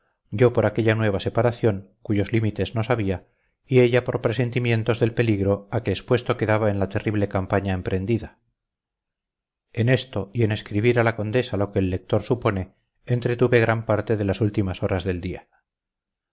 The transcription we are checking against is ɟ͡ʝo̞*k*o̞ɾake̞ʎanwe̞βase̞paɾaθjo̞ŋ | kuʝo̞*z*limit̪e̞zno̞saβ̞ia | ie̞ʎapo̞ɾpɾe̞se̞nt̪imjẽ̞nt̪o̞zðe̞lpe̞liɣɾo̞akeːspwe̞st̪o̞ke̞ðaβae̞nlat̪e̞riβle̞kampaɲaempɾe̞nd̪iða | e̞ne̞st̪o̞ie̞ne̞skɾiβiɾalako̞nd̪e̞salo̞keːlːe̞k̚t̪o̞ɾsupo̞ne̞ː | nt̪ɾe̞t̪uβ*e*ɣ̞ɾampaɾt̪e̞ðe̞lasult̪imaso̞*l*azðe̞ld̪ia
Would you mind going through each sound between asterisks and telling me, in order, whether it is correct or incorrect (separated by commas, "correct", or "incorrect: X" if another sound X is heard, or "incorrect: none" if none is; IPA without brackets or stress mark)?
incorrect: p, correct, correct, incorrect: ɾ